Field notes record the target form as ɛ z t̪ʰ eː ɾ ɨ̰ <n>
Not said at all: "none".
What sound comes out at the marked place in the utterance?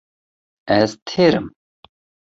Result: m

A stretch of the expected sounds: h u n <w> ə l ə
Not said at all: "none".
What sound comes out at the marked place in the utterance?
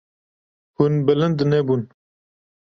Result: b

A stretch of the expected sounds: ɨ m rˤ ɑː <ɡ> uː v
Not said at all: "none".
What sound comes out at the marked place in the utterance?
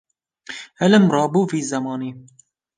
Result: b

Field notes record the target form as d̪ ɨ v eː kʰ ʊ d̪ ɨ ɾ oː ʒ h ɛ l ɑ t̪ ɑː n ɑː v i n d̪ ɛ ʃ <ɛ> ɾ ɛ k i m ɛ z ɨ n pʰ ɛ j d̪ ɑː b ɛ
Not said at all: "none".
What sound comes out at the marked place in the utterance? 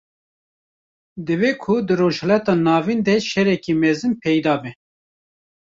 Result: ɛ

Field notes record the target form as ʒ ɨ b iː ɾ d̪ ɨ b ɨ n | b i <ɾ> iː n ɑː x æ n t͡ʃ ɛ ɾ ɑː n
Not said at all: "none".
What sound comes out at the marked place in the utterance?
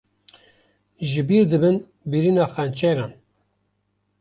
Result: ɾ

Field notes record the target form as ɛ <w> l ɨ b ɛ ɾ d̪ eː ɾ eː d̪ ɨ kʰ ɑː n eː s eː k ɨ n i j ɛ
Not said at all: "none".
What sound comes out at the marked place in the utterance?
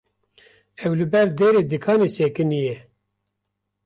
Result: w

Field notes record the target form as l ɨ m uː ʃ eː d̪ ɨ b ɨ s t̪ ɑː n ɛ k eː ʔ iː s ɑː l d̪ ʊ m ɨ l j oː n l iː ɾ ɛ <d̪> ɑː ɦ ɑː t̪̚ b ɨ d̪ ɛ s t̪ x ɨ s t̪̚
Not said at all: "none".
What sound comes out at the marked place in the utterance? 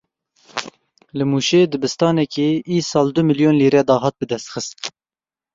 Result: d̪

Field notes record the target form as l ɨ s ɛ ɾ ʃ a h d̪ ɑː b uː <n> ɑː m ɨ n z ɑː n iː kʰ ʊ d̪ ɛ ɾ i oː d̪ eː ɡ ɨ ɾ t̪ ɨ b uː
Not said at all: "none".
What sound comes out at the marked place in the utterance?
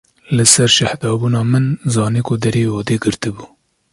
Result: n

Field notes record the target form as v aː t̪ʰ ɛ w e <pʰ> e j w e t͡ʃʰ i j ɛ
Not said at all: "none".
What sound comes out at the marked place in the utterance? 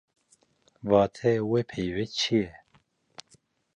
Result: pʰ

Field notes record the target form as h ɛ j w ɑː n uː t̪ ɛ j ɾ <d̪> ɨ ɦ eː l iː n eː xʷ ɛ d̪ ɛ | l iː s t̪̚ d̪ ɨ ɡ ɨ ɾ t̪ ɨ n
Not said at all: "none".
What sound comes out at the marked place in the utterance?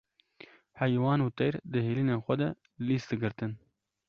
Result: d̪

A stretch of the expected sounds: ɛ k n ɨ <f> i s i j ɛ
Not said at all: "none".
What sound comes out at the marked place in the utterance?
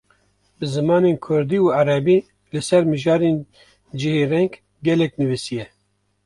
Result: v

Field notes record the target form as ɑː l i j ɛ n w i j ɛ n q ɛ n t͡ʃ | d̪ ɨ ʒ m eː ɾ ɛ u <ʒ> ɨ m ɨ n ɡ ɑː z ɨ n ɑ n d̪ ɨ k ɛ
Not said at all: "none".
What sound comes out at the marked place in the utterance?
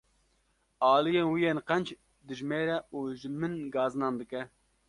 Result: ʒ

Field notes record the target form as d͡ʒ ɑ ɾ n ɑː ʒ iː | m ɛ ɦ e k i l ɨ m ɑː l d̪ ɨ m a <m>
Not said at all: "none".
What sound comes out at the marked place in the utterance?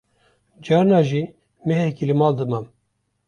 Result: m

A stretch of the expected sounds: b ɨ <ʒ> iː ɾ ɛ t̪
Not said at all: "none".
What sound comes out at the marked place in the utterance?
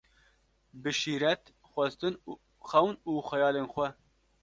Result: ʃ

